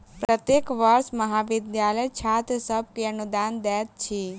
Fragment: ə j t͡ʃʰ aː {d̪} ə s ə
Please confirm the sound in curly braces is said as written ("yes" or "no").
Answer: no